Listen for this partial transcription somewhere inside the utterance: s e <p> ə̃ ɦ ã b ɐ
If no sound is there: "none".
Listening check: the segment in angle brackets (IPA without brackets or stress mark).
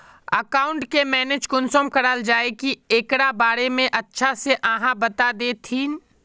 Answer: ʔ